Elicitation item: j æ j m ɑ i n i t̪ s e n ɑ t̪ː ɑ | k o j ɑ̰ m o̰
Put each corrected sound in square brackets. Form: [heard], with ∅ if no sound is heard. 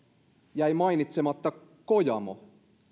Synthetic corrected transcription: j æ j m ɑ i n i t̪ s e [m] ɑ t̪ː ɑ | k o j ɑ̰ m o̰